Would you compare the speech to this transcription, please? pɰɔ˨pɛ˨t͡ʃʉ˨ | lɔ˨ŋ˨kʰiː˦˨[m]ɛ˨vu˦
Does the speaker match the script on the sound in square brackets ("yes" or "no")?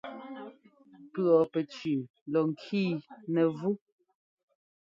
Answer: no